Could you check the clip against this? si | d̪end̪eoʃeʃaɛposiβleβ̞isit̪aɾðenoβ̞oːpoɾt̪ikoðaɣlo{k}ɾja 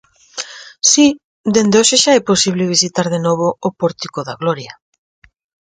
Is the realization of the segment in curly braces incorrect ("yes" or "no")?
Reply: yes